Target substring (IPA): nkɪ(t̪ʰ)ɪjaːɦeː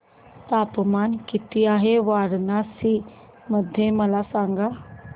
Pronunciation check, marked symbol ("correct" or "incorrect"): incorrect